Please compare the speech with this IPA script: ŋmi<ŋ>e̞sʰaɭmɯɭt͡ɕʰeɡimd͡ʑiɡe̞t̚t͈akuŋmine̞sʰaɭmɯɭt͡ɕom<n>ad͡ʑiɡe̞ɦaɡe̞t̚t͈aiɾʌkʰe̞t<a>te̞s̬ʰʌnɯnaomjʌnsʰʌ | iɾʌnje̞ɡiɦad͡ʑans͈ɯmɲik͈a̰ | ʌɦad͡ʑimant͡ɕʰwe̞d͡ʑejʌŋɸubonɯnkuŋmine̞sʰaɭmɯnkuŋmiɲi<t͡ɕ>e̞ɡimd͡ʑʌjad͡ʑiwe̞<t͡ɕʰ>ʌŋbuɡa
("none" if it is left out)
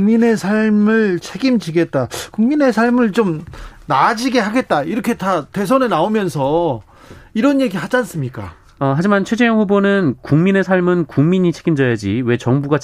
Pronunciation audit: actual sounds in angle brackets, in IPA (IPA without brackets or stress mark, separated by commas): n, n, a, t͡ɕʰ, t͡ɕ